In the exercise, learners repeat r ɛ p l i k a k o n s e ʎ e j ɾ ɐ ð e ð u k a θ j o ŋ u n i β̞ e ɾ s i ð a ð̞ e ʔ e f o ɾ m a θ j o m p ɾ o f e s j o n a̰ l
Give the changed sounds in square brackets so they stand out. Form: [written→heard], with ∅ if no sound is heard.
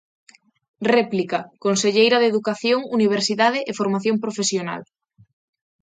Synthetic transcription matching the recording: r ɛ p l i k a k o n s e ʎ e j ɾ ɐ ð e ð u k a θ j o ŋ u n i β̞ e ɾ s i ð a ð̞ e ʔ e f o ɾ m a θ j o m p ɾ o f e s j o n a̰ l